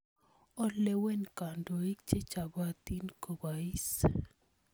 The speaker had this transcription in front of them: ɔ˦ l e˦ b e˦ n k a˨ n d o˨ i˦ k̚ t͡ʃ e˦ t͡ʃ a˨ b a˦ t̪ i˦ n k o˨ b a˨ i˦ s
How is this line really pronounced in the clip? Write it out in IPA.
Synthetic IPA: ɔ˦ l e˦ w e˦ n k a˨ n d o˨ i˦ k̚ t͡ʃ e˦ t͡ʃ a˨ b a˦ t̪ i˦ n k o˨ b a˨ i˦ s